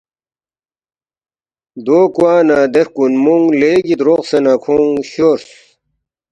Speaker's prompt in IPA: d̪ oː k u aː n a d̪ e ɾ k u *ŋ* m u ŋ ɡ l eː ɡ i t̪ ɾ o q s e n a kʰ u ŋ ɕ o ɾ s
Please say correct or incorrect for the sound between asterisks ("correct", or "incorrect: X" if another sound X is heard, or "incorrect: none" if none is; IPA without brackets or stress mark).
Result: incorrect: n